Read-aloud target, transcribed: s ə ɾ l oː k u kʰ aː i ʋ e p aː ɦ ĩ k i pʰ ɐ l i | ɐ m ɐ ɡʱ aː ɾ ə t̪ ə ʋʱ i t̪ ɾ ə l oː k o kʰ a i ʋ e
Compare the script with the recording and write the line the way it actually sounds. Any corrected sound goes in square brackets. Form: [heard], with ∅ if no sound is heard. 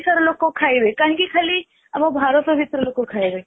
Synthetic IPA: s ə ɾ l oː k [o] kʰ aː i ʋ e [k] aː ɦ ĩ k i [kʰ] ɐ l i | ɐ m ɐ [bʱ] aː ɾ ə t̪ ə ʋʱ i t̪ ɾ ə l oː k o kʰ a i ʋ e

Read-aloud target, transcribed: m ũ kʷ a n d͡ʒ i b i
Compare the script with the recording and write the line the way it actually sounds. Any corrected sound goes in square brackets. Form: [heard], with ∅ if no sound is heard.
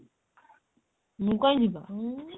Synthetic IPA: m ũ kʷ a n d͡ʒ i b [a]

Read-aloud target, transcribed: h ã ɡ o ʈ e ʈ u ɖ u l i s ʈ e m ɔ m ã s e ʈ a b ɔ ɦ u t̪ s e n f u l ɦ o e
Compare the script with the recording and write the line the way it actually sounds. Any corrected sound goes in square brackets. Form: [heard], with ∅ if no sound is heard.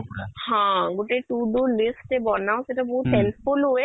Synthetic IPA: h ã ɡ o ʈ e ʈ u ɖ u l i s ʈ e [b] ɔ [n] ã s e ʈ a b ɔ ɦ u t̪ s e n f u l ɦ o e

